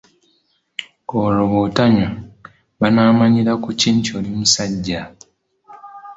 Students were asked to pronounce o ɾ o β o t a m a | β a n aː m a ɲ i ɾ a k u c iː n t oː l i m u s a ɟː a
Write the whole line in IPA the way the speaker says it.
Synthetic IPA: o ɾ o β o t a ɲ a | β a n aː m a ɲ i ɾ a k u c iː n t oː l i m u s a ɟː a